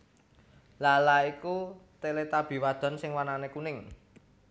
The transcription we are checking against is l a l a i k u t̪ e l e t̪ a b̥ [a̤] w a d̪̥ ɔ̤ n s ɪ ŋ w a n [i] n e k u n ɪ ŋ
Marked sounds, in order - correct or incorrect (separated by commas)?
incorrect, incorrect